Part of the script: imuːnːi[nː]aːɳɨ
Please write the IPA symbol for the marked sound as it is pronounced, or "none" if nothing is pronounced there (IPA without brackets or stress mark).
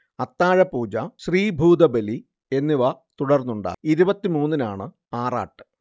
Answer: n